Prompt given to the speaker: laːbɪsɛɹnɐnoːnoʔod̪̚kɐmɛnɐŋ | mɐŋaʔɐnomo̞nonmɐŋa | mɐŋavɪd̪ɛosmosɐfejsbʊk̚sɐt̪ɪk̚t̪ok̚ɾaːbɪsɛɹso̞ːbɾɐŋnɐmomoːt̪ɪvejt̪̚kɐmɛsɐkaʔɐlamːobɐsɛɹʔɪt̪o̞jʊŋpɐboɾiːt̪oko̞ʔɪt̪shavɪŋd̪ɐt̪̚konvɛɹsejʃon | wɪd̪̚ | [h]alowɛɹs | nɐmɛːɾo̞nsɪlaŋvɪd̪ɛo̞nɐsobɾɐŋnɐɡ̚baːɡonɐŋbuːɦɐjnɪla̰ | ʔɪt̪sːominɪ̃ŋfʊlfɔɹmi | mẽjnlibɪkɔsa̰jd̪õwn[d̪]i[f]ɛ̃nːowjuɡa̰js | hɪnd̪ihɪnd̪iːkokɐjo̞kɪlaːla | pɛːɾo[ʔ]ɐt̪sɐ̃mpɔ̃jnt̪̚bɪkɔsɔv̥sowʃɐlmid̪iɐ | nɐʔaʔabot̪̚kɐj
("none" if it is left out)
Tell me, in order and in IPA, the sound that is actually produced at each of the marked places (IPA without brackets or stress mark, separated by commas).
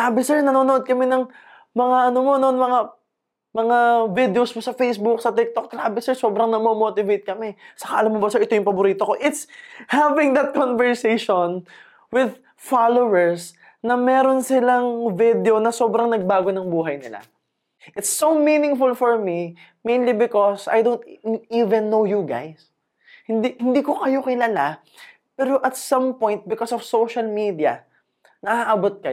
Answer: f, t̪, v, ʔ